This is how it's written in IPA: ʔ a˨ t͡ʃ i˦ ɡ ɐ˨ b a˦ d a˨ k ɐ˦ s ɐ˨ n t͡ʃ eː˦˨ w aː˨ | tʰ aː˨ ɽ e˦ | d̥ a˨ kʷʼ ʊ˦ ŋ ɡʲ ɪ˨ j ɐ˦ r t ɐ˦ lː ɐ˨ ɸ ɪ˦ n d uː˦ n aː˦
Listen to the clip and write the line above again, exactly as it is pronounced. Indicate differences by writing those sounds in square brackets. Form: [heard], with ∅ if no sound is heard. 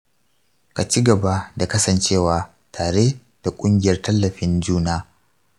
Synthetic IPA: [k] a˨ t͡ʃ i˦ ɡ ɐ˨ b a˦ d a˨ k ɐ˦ s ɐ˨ n t͡ʃ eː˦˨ w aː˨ | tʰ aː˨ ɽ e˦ | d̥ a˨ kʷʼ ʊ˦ ŋ ɡʲ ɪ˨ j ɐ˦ r t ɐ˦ lː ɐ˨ ɸ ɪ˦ n [d͡ʒ] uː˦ n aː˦